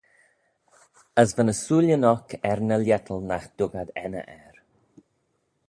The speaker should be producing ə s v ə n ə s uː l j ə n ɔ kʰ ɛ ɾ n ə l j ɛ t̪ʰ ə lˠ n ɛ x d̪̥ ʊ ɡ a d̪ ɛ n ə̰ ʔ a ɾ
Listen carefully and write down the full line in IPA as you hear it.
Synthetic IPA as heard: ə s v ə n ə s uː l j ə n ɔ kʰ ɛ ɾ n ə l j ɛ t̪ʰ ə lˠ n a x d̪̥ ʊ ɡ a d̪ ɛ n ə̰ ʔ ɛ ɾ